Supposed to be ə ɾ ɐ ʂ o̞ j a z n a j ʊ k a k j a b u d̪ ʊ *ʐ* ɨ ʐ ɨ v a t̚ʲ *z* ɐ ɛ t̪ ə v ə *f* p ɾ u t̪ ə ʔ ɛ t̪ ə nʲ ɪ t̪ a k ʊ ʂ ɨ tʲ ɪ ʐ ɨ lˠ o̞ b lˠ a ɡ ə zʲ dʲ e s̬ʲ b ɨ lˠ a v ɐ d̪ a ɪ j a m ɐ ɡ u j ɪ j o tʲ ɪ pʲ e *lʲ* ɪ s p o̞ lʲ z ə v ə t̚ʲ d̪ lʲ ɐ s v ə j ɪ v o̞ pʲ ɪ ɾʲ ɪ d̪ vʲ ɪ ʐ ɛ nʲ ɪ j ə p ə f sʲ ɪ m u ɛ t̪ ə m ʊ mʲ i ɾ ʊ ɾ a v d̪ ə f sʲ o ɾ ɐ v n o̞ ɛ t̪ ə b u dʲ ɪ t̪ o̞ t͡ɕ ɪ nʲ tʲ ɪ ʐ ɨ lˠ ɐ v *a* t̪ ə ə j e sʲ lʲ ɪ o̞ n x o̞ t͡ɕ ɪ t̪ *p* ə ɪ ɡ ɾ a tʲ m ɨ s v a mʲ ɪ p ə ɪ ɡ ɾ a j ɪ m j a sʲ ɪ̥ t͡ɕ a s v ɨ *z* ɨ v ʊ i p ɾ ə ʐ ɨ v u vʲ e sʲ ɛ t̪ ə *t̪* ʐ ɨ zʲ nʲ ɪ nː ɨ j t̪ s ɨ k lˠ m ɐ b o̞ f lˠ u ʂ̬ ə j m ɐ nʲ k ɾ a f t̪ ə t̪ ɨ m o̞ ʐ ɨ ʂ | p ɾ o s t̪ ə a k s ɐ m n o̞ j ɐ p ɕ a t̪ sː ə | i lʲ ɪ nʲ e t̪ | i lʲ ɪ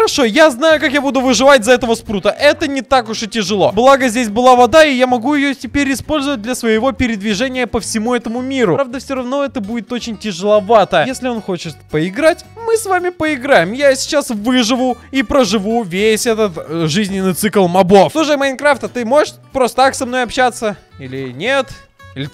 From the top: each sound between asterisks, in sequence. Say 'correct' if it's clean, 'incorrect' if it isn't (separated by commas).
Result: incorrect, correct, incorrect, incorrect, correct, correct, incorrect, correct